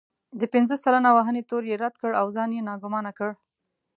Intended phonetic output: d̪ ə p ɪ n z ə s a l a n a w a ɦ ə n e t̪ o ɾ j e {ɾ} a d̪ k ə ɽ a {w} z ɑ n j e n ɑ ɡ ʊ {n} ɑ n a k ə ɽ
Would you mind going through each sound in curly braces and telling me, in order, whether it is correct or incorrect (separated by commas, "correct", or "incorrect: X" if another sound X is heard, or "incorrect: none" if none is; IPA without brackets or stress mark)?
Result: correct, correct, incorrect: m